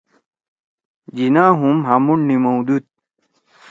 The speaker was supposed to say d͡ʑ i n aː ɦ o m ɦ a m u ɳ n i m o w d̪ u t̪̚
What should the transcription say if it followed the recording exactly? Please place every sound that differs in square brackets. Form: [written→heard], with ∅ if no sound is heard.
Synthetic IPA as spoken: d͡ʑ i n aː ɦ [o→u] m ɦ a m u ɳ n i m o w d̪ u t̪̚